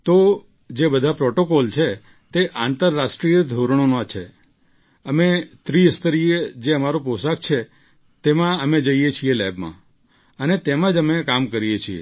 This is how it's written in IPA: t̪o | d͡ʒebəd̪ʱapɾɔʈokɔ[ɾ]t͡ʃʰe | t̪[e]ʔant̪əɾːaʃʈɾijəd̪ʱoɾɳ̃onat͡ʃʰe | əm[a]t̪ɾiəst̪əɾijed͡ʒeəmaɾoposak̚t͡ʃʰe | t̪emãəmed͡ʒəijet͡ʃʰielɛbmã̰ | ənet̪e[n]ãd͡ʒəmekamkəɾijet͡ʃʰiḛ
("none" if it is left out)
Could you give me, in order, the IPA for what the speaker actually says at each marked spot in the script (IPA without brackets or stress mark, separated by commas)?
l, e, e, m